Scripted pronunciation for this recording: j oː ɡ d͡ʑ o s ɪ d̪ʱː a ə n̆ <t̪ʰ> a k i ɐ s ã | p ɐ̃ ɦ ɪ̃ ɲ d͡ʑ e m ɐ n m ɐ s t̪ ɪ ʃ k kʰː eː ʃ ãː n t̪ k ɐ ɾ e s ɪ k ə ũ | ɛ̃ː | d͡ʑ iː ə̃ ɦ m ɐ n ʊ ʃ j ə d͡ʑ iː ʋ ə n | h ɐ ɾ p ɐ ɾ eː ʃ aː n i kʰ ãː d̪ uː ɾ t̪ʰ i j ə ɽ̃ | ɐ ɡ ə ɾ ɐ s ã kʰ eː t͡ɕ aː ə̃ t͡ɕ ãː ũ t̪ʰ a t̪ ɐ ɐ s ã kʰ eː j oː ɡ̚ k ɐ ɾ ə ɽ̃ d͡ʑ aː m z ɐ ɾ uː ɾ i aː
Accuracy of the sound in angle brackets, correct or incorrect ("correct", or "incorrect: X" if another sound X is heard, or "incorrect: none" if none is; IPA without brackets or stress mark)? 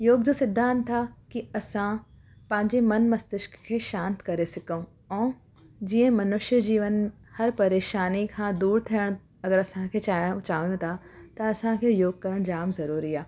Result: correct